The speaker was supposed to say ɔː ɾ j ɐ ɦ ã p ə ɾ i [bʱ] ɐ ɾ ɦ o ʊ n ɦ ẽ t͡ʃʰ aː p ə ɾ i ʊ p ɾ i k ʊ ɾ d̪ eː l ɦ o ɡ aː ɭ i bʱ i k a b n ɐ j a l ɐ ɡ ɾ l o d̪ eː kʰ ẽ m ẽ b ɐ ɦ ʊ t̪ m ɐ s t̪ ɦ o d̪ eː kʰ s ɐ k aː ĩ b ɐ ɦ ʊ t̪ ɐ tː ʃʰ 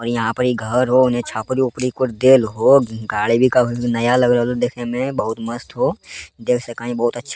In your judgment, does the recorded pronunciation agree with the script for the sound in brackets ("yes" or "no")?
no